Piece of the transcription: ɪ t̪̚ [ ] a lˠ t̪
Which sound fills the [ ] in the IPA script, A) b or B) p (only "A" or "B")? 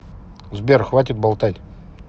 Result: A